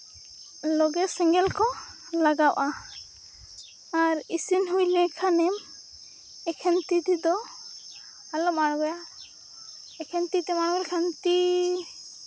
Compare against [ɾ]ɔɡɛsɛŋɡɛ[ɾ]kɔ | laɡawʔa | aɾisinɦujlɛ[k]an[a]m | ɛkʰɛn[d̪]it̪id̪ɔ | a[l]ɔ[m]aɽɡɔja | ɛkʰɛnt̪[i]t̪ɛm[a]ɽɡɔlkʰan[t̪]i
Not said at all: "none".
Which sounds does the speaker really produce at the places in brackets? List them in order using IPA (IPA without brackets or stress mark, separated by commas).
l, l, kʰ, ɛ, t̪, l, m, i, a, t̪